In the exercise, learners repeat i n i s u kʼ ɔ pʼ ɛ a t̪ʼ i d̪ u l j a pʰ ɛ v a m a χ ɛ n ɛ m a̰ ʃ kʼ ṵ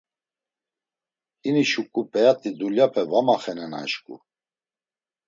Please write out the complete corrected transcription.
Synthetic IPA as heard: i n i ʃ u kʼ u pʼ ɛ a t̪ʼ i d̪ u l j a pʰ ɛ v a m a χ ɛ n ɛ n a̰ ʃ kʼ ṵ